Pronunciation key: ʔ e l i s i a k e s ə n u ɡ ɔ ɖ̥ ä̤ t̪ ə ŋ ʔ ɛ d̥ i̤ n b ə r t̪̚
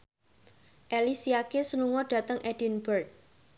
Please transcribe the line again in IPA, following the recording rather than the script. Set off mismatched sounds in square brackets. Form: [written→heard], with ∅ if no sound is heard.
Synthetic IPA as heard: ʔ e l i s i a k e s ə n u [ɡ→ŋ] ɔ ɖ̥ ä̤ t̪ ə ŋ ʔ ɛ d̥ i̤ n b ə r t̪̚